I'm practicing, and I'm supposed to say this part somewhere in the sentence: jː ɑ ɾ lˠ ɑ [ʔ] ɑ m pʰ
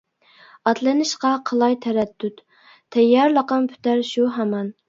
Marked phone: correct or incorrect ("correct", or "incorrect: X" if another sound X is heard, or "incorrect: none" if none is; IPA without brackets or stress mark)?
incorrect: q